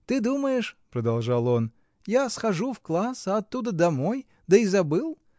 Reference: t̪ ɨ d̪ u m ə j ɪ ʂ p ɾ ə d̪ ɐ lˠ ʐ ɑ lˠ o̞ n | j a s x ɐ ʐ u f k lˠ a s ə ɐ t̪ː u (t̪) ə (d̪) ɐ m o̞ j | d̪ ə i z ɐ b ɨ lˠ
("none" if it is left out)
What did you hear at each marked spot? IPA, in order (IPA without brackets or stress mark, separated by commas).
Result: d̪, d̪